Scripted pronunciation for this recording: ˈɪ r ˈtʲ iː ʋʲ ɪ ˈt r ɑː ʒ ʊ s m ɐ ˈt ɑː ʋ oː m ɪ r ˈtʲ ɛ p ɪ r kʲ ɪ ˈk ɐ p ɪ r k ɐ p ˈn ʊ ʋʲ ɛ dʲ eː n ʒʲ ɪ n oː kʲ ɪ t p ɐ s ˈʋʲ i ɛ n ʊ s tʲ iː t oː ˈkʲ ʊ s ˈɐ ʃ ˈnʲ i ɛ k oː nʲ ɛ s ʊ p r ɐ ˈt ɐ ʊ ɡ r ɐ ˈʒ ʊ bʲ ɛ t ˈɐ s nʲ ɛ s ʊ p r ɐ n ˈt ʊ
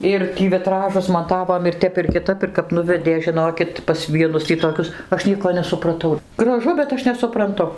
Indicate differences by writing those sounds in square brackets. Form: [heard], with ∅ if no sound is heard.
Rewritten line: ˈɪ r ˈtʲ iː ʋʲ ɪ ˈt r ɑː ʒ ʊ s m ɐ ˈt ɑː ʋ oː m ɪ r ˈtʲ ɛ p ɪ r kʲ ɪ [ˈt] ɐ p ɪ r k ɐ p ˈn ʊ ʋʲ ɛ dʲ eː [∅] ʒʲ ɪ n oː kʲ ɪ t p ɐ s ˈʋʲ i ɛ n ʊ s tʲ iː t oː ˈkʲ ʊ s ˈɐ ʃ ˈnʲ i ɛ k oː nʲ ɛ s ʊ p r ɐ ˈt ɐ ʊ ɡ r ɐ ˈʒ ʊ bʲ ɛ t ˈɐ [ʃ] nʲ ɛ s ʊ p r ɐ n ˈt ʊ